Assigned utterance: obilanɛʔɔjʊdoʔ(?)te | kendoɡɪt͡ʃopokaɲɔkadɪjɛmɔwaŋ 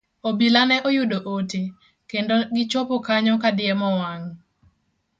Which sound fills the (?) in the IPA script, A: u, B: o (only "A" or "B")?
B